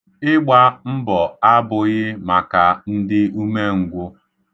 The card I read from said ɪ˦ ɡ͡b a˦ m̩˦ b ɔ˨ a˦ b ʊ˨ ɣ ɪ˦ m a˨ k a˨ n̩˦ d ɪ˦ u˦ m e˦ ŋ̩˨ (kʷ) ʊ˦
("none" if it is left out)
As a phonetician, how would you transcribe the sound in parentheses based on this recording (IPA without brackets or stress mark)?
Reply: ɡʷ